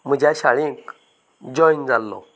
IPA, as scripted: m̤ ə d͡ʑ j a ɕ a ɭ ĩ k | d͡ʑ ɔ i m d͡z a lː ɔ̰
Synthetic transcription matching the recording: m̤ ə d͡ʑ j a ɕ a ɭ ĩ k | d͡ʑ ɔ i n d͡z a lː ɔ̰